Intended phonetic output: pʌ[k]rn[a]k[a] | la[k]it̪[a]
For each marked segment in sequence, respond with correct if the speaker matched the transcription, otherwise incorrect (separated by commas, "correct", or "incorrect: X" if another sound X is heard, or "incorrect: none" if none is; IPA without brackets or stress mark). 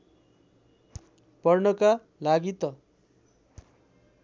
incorrect: none, incorrect: ʌ, correct, incorrect: ɡ, incorrect: ʌ